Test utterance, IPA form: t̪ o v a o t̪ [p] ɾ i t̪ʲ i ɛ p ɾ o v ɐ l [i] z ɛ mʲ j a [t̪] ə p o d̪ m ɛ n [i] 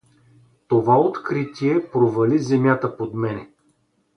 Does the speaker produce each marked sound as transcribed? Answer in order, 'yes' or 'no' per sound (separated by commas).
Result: no, yes, yes, no